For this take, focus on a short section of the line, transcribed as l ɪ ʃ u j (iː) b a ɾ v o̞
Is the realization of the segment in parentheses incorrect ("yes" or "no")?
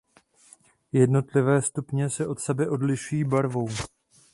no